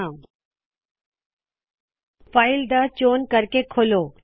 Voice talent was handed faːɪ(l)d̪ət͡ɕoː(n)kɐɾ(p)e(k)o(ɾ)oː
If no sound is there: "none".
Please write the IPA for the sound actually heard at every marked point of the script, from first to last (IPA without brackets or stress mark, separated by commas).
l, n, k, kʰ, l